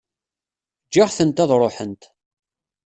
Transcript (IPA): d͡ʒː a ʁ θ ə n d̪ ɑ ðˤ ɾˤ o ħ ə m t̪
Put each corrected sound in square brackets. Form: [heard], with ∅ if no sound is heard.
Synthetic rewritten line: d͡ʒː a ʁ θ ə n [t̪] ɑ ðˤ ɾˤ o ħ ə [n] t̪